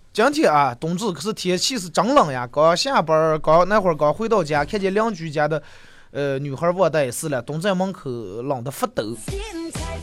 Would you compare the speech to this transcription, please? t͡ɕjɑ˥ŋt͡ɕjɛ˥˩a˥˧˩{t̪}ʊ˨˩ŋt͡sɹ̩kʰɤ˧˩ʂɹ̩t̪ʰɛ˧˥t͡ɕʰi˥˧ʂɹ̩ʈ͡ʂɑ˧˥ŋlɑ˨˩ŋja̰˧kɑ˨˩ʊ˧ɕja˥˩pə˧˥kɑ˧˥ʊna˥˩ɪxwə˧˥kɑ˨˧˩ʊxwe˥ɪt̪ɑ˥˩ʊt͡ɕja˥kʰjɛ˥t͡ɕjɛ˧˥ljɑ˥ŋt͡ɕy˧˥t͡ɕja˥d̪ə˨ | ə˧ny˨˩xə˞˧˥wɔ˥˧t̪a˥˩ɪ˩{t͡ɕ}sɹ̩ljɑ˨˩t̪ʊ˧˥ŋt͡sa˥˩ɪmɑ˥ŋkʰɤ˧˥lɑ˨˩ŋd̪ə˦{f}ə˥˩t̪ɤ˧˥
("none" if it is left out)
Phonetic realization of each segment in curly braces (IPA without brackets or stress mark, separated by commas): t̪, none, f